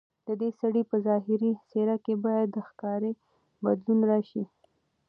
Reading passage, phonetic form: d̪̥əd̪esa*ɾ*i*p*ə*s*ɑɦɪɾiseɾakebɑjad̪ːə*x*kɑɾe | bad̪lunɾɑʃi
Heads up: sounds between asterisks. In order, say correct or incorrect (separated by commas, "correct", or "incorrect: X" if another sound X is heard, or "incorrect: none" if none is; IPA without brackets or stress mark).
incorrect: ɽ, correct, incorrect: z, correct